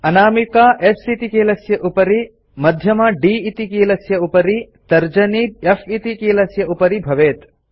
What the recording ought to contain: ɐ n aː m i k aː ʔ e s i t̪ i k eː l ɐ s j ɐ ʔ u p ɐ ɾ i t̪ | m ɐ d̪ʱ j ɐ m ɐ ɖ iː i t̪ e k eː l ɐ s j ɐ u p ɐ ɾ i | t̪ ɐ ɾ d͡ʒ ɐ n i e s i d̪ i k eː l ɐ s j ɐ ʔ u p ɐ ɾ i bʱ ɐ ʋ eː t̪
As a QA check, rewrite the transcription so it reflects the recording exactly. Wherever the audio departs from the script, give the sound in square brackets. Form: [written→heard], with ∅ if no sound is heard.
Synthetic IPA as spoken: ɐ n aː m i k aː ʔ e s i t̪ i k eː l ɐ s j ɐ ʔ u p ɐ ɾ i [t̪→∅] | m ɐ d̪ʱ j ɐ m ɐ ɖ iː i t̪ [e→i] k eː l ɐ s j ɐ u p ɐ ɾ i | t̪ ɐ ɾ d͡ʒ ɐ n i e [s→f] i [d̪→t̪] i k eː l ɐ s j ɐ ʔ u p ɐ ɾ i bʱ ɐ ʋ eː t̪